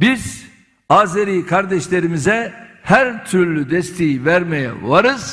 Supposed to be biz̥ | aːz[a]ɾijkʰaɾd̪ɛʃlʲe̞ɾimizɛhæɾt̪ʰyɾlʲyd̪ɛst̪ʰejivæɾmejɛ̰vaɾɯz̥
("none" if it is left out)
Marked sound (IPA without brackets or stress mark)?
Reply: e